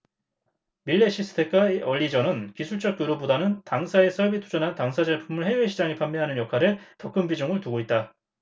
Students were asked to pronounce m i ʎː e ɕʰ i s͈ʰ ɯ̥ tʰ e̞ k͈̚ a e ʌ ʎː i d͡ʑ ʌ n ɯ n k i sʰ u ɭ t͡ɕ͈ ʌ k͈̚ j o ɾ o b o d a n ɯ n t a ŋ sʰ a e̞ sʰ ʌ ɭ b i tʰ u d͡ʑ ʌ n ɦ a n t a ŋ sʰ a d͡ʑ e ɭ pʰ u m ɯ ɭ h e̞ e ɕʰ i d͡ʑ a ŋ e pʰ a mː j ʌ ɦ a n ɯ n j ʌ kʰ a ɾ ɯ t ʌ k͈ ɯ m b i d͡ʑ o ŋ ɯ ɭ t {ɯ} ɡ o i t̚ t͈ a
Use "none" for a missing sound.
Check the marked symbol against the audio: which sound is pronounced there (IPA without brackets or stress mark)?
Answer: u